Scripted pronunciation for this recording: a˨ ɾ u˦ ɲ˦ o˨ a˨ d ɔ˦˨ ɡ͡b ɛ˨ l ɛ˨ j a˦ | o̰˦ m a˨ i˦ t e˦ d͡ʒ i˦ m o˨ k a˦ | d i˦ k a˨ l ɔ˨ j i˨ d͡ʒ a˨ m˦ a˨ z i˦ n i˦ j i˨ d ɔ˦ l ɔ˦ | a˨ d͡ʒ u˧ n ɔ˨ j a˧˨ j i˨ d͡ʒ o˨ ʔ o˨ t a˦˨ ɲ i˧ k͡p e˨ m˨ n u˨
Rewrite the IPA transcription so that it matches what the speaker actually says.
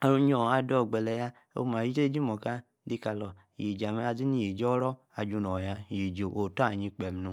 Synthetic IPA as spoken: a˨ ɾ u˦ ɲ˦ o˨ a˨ d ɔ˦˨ ɡ͡b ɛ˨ l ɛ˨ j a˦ | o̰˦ m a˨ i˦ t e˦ d͡ʒ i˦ m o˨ k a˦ | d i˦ k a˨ l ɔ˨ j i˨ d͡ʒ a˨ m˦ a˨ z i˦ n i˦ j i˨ d͡ʒ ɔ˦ ɾ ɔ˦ | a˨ d͡ʒ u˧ n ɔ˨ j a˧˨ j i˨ d͡ʒ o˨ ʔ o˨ t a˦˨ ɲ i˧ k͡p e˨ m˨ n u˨